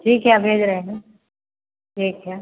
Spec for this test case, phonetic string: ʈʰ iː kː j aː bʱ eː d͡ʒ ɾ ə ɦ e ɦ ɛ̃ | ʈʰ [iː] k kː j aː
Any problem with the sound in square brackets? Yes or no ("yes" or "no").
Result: no